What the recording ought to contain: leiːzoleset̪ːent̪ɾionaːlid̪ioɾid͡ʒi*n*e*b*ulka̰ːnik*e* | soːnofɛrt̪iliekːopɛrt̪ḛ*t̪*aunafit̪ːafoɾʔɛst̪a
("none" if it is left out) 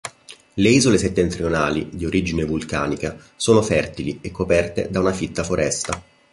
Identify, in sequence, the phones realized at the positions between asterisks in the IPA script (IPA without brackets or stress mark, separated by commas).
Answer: n, v, a, d̪